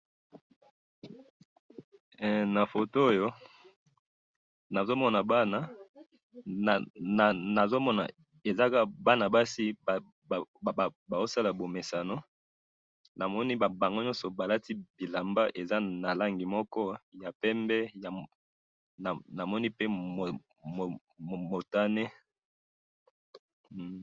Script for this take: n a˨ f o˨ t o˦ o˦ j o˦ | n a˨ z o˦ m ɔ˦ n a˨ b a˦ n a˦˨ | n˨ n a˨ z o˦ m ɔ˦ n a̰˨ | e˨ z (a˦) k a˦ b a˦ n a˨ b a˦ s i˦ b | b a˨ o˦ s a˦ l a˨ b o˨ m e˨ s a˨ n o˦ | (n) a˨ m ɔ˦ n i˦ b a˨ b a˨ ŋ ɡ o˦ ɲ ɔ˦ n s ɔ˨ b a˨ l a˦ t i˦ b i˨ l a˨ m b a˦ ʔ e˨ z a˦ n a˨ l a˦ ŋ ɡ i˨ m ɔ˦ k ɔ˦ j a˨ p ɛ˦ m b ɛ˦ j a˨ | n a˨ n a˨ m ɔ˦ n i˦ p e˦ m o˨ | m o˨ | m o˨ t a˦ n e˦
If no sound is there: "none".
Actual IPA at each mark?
a˦, n

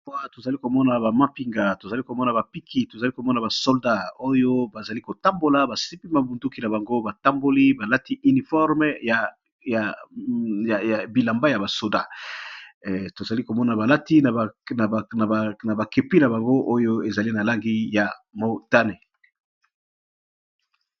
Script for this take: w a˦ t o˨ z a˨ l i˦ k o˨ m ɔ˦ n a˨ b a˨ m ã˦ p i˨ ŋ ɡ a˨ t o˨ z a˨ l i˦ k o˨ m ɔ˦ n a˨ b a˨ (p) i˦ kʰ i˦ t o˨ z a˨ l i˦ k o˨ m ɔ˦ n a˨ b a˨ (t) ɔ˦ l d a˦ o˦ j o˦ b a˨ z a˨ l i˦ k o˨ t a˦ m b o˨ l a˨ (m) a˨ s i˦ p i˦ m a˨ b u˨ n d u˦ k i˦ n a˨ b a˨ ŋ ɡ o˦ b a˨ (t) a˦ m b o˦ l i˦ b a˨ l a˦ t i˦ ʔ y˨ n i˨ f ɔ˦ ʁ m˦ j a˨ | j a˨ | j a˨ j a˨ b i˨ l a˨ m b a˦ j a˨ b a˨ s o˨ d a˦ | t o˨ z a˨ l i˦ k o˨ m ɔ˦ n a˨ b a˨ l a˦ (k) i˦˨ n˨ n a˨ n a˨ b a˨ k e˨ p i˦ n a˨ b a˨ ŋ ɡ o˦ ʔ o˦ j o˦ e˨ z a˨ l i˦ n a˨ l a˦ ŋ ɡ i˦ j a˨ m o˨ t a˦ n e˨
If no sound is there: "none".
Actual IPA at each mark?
p, s, b, t, t

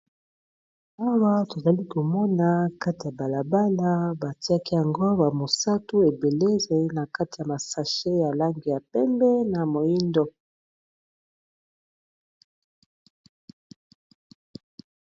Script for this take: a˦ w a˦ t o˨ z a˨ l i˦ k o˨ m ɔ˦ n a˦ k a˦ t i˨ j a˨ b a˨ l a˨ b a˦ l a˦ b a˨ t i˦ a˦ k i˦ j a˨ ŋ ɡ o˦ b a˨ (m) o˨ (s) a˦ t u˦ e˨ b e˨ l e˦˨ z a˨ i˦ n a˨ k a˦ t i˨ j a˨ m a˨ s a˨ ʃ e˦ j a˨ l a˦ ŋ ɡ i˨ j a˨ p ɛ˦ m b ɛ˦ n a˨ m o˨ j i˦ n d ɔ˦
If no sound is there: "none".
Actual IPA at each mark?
m, s

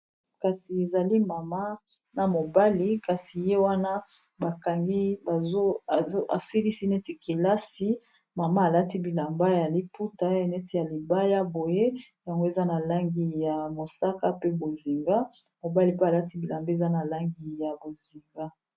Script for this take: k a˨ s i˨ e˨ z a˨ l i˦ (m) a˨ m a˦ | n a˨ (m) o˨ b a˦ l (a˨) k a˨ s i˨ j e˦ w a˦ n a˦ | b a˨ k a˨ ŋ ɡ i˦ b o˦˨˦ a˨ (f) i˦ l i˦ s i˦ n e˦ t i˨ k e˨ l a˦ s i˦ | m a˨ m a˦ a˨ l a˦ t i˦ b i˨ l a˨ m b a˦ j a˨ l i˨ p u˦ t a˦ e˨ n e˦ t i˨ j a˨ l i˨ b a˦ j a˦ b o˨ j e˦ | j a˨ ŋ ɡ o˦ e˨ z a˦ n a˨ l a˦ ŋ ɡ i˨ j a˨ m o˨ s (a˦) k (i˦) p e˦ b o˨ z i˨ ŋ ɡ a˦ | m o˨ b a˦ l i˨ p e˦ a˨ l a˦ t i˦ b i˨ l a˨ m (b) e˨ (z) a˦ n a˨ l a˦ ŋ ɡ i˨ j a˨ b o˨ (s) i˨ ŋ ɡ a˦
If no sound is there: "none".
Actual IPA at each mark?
m, m, i˨, s, a˦, a˦, b, z, z

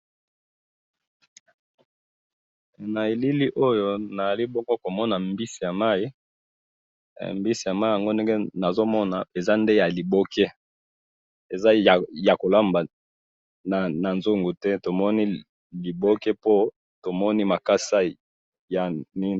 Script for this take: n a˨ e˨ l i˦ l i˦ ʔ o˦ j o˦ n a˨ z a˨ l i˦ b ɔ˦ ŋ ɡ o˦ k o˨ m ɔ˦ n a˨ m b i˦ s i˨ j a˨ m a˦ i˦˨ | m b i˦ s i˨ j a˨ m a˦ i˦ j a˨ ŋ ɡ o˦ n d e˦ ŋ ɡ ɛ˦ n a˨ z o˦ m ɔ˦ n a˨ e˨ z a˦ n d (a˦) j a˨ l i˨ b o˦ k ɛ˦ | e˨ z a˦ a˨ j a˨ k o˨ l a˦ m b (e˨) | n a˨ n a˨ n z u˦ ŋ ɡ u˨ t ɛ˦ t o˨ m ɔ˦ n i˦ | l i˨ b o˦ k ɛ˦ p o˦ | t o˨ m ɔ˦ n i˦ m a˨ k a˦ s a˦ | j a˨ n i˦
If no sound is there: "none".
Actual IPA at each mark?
e˦, a˨

